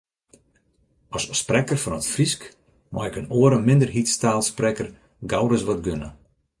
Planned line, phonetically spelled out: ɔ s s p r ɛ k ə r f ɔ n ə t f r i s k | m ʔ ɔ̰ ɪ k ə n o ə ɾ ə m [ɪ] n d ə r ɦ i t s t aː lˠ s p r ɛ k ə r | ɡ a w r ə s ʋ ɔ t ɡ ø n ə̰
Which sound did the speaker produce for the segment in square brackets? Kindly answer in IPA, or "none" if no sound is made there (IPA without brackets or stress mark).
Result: ɪ